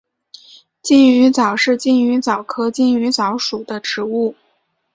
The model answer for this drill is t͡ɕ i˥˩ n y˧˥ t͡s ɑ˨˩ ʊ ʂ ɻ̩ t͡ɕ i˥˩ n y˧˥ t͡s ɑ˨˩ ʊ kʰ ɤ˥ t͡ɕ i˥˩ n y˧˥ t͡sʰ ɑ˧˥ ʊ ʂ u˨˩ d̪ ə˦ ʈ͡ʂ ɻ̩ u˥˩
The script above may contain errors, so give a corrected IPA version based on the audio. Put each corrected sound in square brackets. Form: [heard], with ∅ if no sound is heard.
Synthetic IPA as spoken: t͡ɕ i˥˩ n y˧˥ t͡s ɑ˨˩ ʊ ʂ ɻ̩ t͡ɕ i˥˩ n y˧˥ t͡s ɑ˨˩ ʊ kʰ ɤ˥ t͡ɕ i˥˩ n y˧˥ [t͡s] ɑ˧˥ ʊ ʂ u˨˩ d̪ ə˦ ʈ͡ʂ ɻ̩ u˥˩